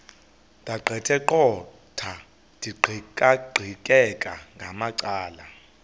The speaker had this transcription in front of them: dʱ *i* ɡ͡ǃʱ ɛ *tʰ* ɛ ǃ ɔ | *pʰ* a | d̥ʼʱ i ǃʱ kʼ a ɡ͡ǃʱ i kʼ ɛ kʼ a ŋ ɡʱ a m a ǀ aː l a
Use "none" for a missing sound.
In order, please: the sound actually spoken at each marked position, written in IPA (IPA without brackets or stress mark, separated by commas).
a, tʰ, tʰ